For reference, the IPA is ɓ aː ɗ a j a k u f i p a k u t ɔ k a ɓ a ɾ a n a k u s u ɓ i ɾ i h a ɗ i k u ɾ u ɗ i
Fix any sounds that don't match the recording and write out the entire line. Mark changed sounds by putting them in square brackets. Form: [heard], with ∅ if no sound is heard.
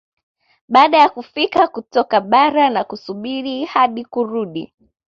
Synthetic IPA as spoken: ɓ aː ɗ a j a k u f i [k] a k u t ɔ k a ɓ a ɾ a n a k u s u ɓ i ɾ i h a ɗ i k u ɾ u ɗ i